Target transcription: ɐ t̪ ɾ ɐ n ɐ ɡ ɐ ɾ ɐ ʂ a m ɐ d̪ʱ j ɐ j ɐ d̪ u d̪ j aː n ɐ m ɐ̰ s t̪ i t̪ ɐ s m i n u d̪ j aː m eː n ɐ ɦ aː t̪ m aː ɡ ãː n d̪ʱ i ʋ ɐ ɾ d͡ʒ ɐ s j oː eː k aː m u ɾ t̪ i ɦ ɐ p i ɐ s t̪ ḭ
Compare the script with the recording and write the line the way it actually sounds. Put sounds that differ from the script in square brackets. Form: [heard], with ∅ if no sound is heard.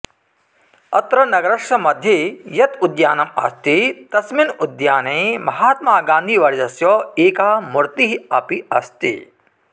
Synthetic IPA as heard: ɐ t̪ ɾ ɐ n ɐ ɡ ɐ ɾ ɐ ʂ [ɐ] m ɐ d̪ʱ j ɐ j ɐ [t̪] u d̪ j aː n ɐ m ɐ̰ s t̪ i t̪ ɐ s m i n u d̪ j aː [n] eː [m] ɐ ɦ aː t̪ m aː ɡ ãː n d̪ʱ i ʋ ɐ ɾ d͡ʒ ɐ s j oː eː k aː m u ɾ t̪ i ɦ ɐ p i ɐ s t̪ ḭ